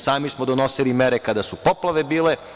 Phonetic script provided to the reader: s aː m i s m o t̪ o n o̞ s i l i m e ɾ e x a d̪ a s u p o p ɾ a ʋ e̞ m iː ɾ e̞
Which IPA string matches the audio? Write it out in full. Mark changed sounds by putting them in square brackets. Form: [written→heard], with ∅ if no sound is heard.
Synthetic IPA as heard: s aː m i s m o [t̪→d̪] o n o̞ s i l i m e ɾ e [x→k] a d̪ a s u p o p [ɾ→l] a ʋ e̞ [m→b] iː [ɾ→l] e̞